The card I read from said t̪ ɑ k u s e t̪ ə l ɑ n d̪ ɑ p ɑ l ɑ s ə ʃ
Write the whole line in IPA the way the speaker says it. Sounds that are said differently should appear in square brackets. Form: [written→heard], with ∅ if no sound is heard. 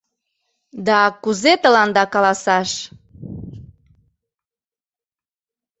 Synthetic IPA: [t̪→d̪] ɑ k u [s→z] e t̪ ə l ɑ n d̪ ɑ [p→k] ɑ l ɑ s [ə→ɑ] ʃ